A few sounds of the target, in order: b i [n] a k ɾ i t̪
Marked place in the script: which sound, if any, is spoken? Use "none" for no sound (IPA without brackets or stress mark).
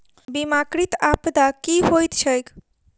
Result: m